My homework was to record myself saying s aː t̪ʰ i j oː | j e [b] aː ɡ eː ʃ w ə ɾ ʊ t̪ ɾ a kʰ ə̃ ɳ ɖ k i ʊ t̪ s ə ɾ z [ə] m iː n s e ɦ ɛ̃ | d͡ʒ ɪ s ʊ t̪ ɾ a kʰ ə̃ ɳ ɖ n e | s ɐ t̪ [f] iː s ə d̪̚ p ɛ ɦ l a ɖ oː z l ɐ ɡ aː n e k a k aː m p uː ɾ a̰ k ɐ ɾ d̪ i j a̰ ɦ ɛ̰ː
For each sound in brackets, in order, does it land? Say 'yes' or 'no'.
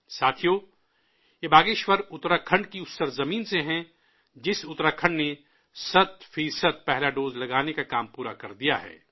yes, no, yes

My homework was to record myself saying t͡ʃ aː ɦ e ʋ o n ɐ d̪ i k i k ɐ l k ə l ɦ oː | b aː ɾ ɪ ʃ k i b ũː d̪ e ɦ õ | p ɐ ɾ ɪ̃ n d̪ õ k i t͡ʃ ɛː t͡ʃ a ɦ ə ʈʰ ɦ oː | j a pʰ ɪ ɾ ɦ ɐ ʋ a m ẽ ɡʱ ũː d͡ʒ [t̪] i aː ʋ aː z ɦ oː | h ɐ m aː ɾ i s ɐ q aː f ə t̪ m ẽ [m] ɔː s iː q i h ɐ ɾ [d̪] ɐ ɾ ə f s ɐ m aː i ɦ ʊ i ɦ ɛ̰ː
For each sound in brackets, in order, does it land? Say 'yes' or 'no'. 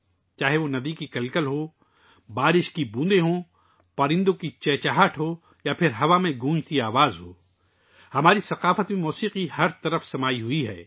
yes, yes, no

